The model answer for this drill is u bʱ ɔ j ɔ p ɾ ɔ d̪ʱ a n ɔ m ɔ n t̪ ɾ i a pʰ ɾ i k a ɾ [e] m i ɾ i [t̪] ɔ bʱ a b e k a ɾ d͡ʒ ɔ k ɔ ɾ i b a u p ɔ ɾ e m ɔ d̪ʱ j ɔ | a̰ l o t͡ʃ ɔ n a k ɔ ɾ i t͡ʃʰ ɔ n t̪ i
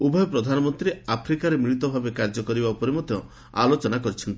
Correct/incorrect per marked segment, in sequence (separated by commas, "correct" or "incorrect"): correct, correct